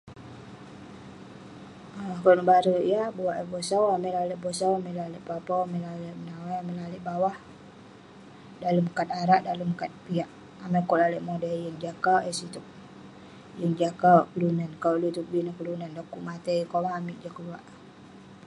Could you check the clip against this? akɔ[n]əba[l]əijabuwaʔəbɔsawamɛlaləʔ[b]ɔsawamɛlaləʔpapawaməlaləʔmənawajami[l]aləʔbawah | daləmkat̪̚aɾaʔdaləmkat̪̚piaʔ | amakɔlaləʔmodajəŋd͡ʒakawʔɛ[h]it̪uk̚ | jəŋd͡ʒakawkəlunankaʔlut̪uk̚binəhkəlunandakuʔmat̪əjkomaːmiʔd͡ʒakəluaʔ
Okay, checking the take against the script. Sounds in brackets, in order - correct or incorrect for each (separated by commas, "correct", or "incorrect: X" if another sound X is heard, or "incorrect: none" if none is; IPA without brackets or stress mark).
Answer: correct, incorrect: ɾ, correct, correct, incorrect: s